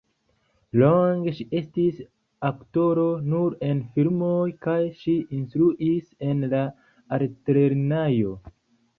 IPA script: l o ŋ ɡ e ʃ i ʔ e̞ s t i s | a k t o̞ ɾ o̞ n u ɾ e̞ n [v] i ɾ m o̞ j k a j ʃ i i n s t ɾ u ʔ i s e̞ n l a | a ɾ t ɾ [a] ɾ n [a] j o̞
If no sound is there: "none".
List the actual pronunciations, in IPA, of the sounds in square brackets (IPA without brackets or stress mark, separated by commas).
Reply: f, e, a